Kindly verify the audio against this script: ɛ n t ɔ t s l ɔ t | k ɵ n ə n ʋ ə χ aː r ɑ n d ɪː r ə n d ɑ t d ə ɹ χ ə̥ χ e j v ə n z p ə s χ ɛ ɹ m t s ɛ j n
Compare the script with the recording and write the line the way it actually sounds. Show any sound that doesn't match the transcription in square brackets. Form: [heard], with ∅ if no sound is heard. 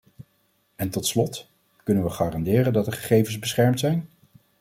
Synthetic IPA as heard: ɛ n t ɔ t s l ɔ t | k ɵ n ə n ʋ ə χ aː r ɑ n d ɪː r ə n d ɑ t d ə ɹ χ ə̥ χ e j v ə n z [b] ə s χ ɛ ɹ m t s ɛ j n